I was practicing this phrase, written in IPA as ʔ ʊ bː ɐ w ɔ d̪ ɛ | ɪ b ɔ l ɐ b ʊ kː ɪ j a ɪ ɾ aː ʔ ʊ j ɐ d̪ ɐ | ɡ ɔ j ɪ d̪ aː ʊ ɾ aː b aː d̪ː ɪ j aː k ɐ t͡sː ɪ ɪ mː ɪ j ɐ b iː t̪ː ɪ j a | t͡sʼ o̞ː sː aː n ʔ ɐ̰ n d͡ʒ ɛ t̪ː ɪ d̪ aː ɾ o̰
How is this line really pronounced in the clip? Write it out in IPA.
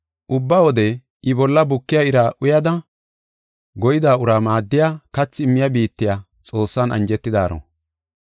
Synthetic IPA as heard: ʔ ʊ bː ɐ w ɔ d̪ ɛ | ɪ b ɔ lː ɐ b ʊ kː ɪ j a ɪ ɾ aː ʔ ʊ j ɐ d̪ ɐ | ɡ ɔ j ɪ d̪ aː ʊ ɾ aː m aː d̪ː ɪ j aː k ɐ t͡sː ɪ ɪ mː ɪ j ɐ b iː t̪ː ɪ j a | t͡sʼ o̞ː sː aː n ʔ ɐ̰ n d͡ʒ ɛ t̪ː ɪ d̪ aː ɾ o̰

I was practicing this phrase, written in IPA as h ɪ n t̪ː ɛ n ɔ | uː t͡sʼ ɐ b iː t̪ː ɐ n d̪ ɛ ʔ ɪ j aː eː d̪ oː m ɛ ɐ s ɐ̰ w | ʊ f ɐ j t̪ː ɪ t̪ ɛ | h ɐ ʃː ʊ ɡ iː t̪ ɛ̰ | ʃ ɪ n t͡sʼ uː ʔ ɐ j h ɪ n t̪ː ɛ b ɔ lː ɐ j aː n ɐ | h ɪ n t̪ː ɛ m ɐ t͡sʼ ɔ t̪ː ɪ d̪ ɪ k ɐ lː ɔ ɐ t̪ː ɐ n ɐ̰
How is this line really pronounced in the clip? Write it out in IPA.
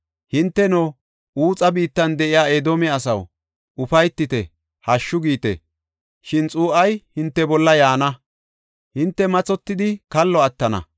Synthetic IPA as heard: h ɪ n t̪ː ɛ n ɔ | uː t͡sʼ ɐ b iː t̪ː ɐ n d̪ ɛ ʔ ɪ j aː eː d̪ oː m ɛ ɐ s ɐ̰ w | ʊ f ɐ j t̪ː ɪ t̪ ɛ | h ɐ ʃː ʊ ɡ iː t̪ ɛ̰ | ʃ ɪ n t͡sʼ uː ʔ ɐ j h ɪ n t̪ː ɛ b ɔ lː ɐ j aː n ɐ | h ɪ n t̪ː ɛ m ɐ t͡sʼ ɔ t̪ː ɪ d̪ ɪ k ɐ lː ɔ ɐ t̪ː ɐ n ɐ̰

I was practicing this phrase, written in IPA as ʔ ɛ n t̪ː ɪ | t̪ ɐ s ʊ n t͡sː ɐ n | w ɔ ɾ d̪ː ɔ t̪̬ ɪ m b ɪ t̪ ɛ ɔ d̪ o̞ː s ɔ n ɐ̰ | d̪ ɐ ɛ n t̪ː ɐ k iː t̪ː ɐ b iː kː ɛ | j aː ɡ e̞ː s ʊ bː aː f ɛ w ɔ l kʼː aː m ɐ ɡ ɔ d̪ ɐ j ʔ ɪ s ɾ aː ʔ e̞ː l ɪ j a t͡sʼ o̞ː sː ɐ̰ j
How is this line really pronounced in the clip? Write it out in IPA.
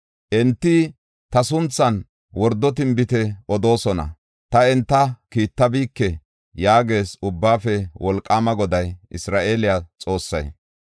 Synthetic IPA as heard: ʔ ɛ n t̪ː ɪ | t̪ ɐ s ʊ n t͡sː ɐ n | w ɔ ɾ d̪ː ɔ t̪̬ ɪ m b ɪ t̪ ɛ ɔ d̪ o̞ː s ɔ n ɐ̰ | t̪ ɐ ɛ n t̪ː ɐ k iː t̪ː ɐ b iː kː ɛ | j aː ɡ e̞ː s ʊ bː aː f ɛ w ɔ l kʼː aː m ɐ ɡ ɔ d̪ ɐ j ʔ ɪ s ɾ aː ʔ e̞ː l ɪ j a t͡sʼ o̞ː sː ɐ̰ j

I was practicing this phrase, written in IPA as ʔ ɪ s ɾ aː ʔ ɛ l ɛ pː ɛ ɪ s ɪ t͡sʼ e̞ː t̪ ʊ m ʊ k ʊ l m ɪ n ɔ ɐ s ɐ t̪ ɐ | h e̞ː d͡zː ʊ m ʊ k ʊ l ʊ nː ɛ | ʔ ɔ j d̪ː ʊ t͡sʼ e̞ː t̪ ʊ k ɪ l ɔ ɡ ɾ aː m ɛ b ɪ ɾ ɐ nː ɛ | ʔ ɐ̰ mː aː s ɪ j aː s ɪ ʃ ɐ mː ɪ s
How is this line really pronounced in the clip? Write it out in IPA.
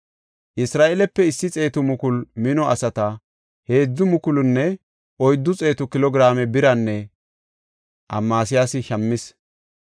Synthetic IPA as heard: ʔ ɪ s ɾ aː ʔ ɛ l ɛ pː ɛ ɪ sː ɪ t͡sʼ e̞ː t̪ ʊ m ʊ k ʊ l m ɪ n ɔ ɐ s ɐ t̪ ɐ | h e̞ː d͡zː ʊ m ʊ k ʊ l ʊ nː ɛ | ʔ ɔ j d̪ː ʊ t͡sʼ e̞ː t̪ ʊ k ɪ l ɔ ɡ ɾ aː m ɛ b ɪ ɾ ɐ nː ɛ | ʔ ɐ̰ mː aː s ɪ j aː s ɪ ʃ ɐ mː ɪ s

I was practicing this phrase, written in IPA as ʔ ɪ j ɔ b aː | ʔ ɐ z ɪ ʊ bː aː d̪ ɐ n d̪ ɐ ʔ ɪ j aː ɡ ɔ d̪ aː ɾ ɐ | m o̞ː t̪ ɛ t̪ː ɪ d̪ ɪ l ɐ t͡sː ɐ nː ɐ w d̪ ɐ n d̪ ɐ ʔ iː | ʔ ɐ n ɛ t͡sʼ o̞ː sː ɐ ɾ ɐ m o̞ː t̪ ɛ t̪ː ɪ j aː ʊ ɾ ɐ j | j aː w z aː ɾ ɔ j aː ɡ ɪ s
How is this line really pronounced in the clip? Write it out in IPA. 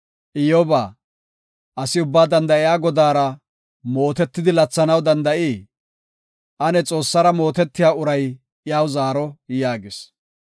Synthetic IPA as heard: ʔ ɪ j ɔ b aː | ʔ ɐ s ɪ ʊ bː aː d̪ ɐ n d̪ ɐ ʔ ɪ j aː ɡ ɔ d̪ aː ɾ ɐ | m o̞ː t̪ ɛ t̪ː ɪ d̪ ɪ l ɐ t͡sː ɐ n ɐ w d̪ ɐ n d̪ ɐ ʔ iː | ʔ ɐ n ɛ t͡sʼ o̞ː sː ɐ ɾ ɐ m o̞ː t̪ ɛ t̪ː ɪ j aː ʊ ɾ ɐ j | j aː w z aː ɾ ɔ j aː ɡ ɪ s

